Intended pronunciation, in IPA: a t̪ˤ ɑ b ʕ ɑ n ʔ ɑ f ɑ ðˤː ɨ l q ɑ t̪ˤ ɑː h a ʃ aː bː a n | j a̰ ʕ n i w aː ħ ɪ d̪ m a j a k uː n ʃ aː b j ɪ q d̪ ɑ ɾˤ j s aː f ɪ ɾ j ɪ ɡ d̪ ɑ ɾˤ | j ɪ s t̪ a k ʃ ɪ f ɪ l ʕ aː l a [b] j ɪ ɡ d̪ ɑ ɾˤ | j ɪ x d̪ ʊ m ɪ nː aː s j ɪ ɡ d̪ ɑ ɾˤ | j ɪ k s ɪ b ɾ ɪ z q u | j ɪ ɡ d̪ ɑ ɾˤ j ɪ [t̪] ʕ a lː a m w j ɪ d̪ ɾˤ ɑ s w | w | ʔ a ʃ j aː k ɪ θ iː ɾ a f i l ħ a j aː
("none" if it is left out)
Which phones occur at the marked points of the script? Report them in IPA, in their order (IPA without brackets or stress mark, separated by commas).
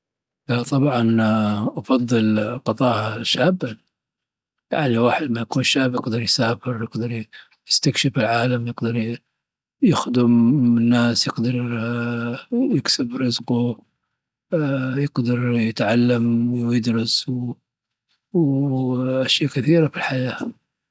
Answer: m, t̪